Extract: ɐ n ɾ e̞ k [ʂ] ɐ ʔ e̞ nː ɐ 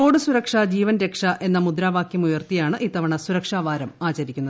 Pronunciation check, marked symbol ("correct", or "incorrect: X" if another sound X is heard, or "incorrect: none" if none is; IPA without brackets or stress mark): correct